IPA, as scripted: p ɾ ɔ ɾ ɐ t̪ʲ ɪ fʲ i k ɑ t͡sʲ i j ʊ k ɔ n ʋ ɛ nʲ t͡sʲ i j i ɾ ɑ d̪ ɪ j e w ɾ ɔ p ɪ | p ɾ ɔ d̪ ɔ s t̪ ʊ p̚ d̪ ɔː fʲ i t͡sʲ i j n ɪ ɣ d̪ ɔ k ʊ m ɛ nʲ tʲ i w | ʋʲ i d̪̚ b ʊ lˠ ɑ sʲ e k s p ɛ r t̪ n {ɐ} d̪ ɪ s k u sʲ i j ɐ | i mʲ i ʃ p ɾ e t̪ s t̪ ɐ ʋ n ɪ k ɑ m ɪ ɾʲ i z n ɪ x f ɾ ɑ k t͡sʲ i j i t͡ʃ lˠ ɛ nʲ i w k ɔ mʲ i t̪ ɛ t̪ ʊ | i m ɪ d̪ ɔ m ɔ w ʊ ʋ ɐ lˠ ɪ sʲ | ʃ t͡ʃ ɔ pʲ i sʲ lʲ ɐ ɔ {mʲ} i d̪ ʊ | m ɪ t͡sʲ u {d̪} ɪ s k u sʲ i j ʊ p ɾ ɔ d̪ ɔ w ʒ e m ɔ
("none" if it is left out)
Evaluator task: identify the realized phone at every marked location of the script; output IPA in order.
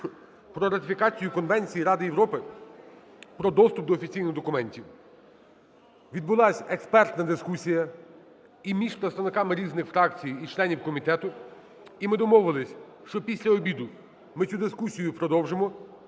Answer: ɐ, bʲ, d̪

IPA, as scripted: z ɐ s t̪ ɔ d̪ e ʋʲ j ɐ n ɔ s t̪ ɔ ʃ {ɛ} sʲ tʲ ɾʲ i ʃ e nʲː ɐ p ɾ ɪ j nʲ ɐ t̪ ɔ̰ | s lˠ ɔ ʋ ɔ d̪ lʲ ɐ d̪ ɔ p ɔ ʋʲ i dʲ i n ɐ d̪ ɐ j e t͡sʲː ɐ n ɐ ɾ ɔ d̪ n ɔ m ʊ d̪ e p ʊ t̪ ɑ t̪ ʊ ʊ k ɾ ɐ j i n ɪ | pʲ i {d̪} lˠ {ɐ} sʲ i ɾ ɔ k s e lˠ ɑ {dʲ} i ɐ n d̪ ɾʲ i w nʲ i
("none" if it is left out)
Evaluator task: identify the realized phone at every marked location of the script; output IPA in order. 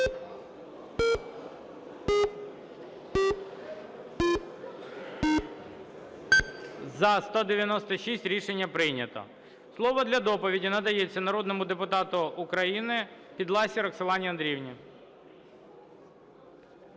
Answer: i, d̪, ɑ, nʲ

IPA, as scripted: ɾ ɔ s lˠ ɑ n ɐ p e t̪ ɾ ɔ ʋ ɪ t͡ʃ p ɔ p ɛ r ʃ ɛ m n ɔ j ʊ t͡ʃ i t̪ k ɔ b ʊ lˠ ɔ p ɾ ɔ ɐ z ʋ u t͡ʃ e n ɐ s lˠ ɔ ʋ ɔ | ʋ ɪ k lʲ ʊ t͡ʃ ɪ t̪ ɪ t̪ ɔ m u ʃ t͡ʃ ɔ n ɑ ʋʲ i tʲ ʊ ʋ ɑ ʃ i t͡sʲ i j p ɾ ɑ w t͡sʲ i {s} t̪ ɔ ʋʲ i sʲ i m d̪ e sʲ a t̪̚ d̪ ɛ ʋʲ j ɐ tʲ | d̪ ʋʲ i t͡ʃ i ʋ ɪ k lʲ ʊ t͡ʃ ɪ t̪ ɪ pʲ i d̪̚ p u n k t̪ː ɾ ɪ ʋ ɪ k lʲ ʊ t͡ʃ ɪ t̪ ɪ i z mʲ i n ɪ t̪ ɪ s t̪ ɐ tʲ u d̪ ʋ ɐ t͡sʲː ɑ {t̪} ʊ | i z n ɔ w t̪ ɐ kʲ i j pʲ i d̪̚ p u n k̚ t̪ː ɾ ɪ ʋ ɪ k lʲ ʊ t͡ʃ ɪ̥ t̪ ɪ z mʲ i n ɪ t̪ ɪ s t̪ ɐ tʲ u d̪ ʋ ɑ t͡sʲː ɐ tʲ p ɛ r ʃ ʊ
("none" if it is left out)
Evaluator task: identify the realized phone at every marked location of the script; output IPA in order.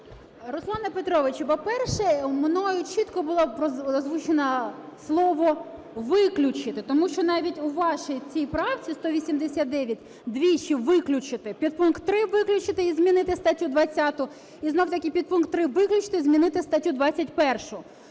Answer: s, t̪

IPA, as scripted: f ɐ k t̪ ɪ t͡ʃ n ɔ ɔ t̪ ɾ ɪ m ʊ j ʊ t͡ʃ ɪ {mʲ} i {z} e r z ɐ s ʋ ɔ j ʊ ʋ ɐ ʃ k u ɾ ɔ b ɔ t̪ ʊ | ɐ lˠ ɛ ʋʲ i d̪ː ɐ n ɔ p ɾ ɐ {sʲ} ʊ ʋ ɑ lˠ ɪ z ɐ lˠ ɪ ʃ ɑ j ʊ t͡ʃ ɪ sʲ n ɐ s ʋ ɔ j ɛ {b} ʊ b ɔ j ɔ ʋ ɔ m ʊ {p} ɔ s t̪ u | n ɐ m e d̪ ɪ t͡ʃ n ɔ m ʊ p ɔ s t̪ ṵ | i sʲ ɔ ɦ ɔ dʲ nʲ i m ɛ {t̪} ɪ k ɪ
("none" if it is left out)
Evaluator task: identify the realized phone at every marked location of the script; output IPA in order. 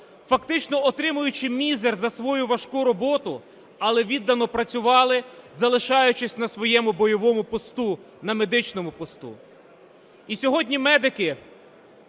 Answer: mʲ, z, t͡sʲ, m, p, d̪

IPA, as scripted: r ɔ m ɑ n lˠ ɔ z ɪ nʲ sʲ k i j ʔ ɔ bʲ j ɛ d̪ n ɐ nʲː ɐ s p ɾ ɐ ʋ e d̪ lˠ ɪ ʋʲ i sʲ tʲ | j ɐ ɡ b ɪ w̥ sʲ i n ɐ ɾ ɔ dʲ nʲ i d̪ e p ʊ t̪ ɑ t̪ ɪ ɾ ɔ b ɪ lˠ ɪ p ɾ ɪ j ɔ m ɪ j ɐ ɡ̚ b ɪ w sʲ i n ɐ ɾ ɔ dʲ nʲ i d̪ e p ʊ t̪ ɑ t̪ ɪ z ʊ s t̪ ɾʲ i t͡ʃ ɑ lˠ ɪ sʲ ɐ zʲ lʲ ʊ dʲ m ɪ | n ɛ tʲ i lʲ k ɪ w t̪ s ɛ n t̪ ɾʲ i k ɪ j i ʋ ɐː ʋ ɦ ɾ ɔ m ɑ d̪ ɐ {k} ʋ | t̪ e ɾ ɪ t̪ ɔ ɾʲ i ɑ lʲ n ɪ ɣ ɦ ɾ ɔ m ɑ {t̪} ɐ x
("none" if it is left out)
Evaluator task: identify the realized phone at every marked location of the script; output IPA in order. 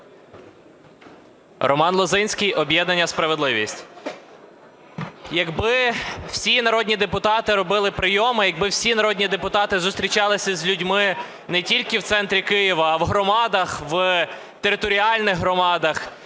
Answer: x, d̪

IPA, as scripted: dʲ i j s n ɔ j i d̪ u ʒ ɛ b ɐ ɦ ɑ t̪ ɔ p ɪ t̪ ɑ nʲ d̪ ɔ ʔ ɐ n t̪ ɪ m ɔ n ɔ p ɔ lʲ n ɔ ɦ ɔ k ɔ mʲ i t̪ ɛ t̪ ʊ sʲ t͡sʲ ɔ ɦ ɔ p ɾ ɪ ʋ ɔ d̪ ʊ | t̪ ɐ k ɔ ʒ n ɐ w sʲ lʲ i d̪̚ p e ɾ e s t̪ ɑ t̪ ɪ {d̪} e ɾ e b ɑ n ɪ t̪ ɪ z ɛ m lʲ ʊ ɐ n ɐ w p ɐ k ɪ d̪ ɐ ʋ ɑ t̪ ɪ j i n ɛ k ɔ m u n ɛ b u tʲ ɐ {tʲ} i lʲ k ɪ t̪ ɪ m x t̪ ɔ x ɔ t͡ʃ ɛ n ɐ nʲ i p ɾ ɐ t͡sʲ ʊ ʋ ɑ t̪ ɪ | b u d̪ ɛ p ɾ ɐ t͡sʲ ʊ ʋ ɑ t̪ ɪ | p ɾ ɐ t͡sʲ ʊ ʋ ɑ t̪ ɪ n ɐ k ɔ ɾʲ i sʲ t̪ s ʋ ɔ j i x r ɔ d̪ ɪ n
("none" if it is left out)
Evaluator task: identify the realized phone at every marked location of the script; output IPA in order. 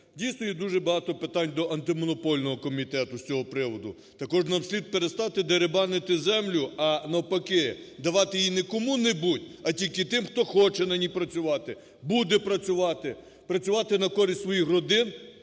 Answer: d̪, tʲ

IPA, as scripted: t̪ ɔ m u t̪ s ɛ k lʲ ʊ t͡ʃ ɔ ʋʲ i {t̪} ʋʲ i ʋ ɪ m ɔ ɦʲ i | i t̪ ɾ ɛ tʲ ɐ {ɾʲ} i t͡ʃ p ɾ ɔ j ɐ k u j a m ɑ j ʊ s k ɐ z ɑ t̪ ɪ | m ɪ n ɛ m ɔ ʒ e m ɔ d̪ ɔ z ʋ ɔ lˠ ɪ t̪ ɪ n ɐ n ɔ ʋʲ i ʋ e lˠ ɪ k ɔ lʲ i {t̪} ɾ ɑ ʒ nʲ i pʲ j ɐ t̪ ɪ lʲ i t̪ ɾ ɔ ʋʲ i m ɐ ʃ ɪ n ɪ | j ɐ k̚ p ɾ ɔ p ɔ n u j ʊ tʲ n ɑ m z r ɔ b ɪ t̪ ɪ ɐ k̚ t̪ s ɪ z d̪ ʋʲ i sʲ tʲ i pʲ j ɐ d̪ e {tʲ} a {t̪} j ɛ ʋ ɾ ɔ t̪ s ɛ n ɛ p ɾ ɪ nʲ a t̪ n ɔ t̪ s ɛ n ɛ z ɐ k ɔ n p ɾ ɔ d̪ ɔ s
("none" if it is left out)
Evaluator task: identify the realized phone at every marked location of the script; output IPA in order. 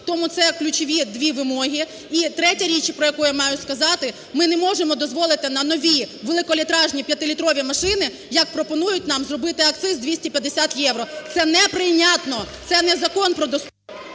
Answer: d̪, ɾʲ, t̪, sʲ, t̪

